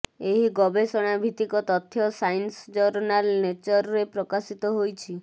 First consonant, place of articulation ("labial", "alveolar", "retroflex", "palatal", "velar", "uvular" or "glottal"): glottal